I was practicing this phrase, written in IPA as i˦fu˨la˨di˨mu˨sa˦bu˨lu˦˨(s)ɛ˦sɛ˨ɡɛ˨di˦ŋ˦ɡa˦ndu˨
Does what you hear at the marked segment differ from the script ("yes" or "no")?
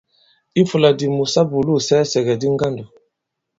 no